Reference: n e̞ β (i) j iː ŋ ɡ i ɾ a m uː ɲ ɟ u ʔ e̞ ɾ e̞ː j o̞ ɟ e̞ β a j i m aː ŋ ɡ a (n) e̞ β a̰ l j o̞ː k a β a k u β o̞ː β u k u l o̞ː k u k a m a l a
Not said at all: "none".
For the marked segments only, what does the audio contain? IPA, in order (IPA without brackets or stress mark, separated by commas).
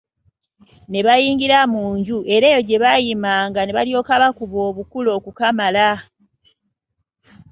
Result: a, n